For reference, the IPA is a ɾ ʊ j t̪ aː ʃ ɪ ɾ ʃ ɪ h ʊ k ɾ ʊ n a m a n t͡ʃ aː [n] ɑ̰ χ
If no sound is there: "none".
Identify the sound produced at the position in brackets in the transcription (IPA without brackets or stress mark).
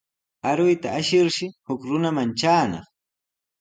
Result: n